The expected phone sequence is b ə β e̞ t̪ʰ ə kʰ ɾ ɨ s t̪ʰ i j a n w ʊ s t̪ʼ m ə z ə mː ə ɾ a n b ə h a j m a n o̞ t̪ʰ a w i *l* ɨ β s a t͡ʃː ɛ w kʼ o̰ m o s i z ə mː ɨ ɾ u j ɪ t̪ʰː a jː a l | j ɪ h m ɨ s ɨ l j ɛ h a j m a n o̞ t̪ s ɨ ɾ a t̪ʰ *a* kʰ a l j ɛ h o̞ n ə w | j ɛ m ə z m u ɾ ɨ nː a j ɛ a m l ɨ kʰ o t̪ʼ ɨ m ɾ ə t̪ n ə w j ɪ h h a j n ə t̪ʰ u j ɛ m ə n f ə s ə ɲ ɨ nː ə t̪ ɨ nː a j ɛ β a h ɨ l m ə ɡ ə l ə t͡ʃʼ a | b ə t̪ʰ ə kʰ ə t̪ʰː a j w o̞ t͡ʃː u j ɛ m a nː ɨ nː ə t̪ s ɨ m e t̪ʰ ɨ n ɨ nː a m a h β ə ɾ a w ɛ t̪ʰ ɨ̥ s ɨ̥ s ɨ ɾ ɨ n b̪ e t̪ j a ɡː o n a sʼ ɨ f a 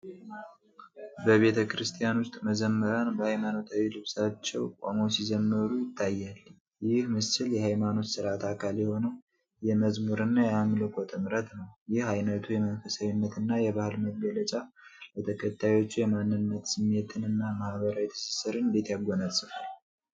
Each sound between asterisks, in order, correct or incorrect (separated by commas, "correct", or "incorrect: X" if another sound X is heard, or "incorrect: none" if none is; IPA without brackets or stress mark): correct, correct